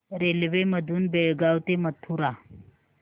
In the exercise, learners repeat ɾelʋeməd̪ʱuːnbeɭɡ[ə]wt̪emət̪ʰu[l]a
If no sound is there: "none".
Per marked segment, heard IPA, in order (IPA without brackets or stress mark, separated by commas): a, ɾ